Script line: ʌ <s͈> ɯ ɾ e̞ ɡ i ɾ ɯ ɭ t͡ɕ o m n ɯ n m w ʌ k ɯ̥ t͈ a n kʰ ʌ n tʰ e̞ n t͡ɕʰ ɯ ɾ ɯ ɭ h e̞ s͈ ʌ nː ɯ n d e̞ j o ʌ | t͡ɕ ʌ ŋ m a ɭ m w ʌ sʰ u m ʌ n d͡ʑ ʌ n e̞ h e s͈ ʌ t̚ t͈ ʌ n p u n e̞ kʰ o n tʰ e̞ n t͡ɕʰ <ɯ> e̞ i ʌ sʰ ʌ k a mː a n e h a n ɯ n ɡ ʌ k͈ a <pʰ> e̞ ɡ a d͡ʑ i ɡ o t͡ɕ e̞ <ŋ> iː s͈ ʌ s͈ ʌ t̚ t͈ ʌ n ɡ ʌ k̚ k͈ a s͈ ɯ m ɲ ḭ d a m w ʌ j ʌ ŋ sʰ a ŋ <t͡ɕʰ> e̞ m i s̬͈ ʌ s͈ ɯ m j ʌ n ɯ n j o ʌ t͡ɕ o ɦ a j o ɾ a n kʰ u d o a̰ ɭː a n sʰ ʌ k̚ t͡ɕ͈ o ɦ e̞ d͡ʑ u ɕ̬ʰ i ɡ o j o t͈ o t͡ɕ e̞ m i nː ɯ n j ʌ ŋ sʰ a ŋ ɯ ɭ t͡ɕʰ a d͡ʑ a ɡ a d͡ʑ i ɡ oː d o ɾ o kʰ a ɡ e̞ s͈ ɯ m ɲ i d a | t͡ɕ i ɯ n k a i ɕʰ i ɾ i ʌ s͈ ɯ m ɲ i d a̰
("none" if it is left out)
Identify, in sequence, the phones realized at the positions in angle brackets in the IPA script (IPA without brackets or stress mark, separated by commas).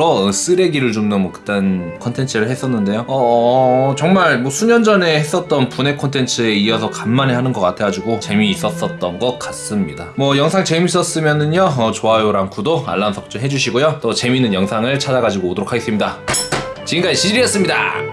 s͈, ɯ, tʰ, m, t͡ɕ